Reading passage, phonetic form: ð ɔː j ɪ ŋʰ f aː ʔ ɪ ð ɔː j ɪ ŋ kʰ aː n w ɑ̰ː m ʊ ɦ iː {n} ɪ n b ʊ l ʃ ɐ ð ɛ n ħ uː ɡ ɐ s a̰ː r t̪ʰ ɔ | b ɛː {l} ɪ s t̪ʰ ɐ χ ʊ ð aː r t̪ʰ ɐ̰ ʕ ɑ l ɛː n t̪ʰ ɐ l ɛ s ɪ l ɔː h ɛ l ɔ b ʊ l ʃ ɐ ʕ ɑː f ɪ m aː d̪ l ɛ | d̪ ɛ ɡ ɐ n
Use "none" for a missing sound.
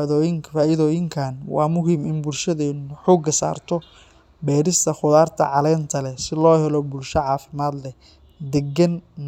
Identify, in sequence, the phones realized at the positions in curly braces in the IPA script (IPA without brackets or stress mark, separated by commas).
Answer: m, ɾ